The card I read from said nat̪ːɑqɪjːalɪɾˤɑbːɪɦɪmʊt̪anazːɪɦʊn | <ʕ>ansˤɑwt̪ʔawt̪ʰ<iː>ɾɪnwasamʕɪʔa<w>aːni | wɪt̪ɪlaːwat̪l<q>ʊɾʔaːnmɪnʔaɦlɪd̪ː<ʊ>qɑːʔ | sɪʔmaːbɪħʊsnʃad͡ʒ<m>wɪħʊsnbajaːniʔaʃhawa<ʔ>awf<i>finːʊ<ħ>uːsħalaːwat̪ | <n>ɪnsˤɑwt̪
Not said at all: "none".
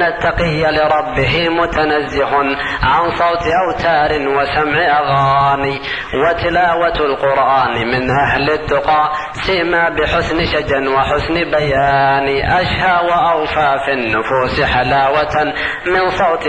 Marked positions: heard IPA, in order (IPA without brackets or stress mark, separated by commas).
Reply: ʕ, aː, ɣ, q, ʊ, n, ʔ, a, f, m